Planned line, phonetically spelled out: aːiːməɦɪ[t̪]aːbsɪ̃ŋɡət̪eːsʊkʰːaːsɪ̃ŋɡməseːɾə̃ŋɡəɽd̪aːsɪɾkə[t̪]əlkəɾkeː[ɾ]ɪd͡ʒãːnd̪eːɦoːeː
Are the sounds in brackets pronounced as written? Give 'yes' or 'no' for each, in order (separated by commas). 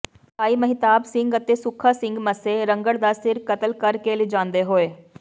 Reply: yes, yes, no